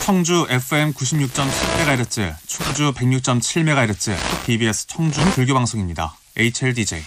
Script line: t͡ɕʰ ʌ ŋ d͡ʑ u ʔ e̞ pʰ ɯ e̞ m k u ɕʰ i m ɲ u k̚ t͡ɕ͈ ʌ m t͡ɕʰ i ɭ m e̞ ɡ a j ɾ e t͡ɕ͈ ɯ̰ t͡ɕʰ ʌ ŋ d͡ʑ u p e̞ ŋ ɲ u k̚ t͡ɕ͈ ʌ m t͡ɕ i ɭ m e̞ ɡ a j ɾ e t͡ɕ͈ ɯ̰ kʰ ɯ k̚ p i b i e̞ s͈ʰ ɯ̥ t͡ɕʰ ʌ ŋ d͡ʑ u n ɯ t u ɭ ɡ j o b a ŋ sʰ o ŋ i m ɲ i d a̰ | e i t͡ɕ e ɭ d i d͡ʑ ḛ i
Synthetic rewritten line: t͡ɕʰ ʌ ŋ d͡ʑ u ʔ e̞ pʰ ɯ e̞ m k u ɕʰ i m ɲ u k̚ t͡ɕ͈ ʌ m t͡ɕʰ i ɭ m e̞ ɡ a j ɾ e t͡ɕ͈ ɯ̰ t͡ɕʰ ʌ ŋ d͡ʑ u p e̞ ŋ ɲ u k̚ t͡ɕ͈ ʌ m t͡ɕʰ i ɭ m e̞ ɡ a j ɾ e t͡ɕ͈ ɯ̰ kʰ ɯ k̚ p i b i e̞ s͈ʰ ɯ̥ t͡ɕʰ ʌ ŋ d͡ʑ u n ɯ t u ɭ ɡ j o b a ŋ sʰ o ŋ i m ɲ i d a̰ | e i t͡ɕʰ e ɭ d i d͡ʑ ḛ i